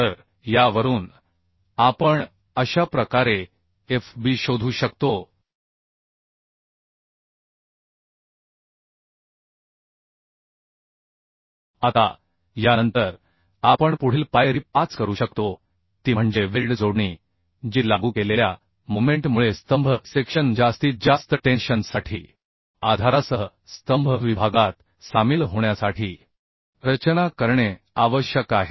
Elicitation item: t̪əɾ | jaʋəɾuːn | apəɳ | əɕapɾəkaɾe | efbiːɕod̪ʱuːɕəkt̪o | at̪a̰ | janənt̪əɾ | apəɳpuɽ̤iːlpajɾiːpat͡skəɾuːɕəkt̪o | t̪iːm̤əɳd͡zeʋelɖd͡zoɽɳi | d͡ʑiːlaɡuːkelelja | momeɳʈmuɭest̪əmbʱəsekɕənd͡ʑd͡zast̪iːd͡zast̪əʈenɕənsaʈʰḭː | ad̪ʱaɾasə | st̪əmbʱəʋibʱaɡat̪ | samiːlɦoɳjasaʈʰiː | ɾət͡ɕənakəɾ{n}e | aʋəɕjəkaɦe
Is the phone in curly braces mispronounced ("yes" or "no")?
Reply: yes